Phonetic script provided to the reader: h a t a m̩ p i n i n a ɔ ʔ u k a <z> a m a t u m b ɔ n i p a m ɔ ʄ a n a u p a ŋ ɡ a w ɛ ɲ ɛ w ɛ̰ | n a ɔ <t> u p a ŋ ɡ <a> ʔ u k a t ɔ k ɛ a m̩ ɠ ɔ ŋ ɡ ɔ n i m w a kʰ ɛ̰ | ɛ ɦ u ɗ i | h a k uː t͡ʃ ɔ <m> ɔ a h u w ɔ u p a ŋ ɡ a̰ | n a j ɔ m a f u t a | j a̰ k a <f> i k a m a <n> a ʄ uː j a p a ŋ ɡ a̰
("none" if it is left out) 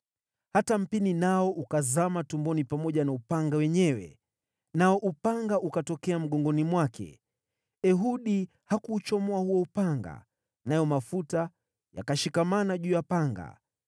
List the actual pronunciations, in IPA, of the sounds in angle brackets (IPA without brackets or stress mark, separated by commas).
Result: z, ʔ, a, m, ʃ, n